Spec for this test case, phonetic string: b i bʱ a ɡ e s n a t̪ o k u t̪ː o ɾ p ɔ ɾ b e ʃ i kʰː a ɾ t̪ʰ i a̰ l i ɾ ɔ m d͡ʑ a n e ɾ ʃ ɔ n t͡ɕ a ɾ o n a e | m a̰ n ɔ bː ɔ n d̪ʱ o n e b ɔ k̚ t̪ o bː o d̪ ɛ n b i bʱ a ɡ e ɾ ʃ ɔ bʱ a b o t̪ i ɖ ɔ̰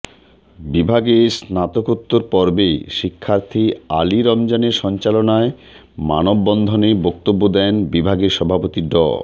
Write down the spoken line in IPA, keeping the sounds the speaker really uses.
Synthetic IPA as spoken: b i bʱ a ɡ e s n a t̪ o k u t̪ː o ɾ p ɔ ɾ b e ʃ i kʰː a ɾ t̪ʰ i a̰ l i ɾ ɔ m d͡ʑ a n e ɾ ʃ ɔ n t͡ɕ a l o n a e | m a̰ n o bː ɔ n d̪ʱ o n e b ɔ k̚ t̪ o bː o d̪ ɛ n b i bʱ a ɡ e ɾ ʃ ɔ bʱ a p o t̪ i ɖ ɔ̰